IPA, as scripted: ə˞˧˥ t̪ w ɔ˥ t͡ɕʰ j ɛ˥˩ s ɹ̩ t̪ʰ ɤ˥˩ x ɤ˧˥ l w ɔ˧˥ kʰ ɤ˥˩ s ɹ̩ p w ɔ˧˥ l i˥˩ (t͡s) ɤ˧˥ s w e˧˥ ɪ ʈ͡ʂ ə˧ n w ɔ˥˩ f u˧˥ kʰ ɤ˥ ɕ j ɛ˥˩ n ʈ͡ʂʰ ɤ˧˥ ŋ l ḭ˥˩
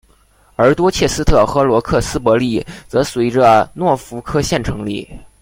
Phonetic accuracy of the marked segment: correct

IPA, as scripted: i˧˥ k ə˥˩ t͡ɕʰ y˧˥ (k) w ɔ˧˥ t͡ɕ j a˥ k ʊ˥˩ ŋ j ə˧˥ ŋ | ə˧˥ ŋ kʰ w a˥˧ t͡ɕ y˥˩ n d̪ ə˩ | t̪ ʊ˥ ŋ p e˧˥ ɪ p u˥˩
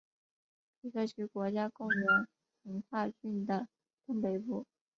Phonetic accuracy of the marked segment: correct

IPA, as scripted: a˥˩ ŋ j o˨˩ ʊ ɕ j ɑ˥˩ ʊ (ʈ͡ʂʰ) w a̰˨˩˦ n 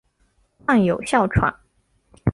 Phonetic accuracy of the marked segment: correct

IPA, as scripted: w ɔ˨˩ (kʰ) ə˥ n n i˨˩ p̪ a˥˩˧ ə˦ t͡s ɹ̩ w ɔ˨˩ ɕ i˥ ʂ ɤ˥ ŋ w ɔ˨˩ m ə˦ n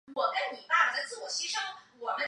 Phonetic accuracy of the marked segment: incorrect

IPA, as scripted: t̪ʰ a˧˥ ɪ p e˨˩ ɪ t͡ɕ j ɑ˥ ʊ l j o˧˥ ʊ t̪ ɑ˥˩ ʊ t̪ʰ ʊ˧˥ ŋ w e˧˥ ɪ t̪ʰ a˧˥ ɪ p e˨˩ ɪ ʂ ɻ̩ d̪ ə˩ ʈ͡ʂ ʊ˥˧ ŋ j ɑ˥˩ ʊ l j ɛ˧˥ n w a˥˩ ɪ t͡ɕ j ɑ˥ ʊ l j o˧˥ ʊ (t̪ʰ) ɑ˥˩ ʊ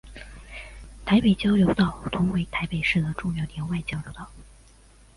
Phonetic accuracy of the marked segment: incorrect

